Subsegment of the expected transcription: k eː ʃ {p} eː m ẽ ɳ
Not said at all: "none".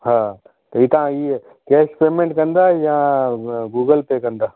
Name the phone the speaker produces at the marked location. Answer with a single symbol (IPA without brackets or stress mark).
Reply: p